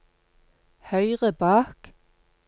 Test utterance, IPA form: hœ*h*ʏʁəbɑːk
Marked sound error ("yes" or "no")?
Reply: yes